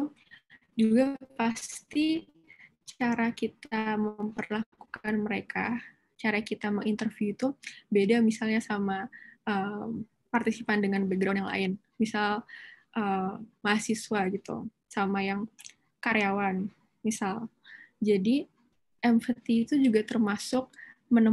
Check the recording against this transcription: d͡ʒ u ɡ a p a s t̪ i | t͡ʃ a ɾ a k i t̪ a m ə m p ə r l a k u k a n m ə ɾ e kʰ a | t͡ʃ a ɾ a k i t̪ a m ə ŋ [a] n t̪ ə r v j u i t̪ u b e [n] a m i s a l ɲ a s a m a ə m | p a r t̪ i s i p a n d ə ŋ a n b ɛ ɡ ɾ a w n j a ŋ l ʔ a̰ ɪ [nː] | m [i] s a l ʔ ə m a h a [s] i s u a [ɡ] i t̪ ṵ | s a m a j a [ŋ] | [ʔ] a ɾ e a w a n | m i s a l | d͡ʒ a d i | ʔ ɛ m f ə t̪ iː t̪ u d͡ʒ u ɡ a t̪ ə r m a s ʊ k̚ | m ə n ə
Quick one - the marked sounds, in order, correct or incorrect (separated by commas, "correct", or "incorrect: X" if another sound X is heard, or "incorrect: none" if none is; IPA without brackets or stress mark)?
incorrect: i, incorrect: d, incorrect: n, correct, correct, correct, correct, incorrect: k